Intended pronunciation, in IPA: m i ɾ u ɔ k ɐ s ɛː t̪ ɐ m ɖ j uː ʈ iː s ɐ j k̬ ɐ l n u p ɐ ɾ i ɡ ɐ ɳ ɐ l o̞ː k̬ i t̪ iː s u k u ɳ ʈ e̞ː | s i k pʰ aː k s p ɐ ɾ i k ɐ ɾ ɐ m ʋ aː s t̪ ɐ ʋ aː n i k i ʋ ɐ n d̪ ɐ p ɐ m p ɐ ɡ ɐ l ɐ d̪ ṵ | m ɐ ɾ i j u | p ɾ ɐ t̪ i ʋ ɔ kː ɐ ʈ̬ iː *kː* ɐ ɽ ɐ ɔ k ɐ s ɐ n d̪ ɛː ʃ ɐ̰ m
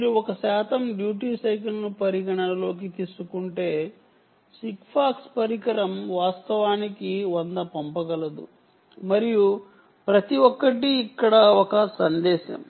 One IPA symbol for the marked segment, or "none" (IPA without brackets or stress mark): kː